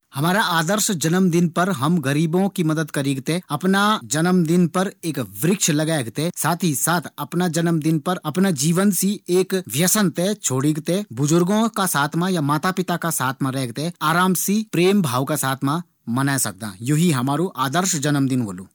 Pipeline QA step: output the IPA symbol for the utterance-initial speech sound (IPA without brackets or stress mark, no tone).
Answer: h